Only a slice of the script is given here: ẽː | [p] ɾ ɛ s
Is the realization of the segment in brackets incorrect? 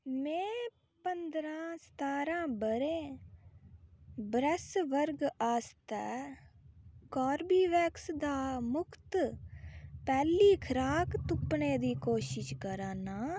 yes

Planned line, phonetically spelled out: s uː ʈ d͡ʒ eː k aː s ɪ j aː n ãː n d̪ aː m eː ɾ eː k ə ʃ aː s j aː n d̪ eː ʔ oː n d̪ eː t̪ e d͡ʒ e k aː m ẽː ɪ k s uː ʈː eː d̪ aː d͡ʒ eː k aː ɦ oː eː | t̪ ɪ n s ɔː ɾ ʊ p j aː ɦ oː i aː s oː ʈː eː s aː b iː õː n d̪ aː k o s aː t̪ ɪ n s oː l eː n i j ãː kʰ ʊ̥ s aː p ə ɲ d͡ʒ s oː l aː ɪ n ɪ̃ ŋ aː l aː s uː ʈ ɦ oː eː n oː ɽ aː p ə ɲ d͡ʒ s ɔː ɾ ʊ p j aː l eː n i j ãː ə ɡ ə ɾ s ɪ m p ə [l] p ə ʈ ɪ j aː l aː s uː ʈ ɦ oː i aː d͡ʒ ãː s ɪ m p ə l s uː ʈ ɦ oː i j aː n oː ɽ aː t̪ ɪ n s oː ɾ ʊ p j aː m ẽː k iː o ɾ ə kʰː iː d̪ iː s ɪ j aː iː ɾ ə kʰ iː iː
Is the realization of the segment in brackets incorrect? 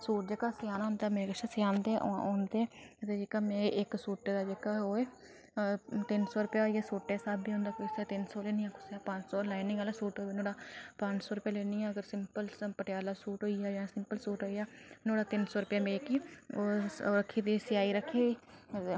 no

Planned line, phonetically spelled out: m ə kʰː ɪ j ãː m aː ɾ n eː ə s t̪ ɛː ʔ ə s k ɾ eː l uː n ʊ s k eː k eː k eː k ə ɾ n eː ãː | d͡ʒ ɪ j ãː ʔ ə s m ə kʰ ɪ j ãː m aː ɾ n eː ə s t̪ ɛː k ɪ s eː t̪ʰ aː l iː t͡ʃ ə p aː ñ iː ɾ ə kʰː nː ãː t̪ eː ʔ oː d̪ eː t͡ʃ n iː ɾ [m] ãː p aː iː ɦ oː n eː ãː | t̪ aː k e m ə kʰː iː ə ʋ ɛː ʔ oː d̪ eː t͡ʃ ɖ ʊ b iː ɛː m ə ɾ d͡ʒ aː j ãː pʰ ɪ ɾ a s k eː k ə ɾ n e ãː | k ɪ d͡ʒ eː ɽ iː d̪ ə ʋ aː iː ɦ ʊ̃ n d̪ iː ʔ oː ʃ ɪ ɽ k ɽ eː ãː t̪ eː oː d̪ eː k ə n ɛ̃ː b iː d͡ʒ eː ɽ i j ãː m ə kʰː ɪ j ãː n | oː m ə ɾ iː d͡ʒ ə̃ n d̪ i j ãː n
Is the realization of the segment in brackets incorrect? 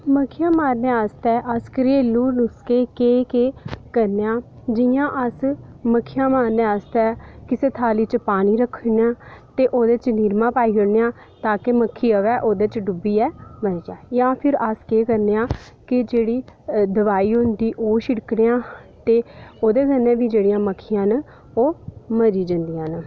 no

